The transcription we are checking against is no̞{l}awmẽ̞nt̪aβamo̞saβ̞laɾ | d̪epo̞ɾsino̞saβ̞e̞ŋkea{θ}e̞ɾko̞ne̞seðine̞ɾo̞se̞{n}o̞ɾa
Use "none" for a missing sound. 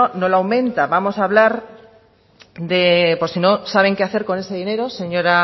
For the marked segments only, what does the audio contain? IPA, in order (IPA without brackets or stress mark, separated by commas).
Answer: l, θ, ɲ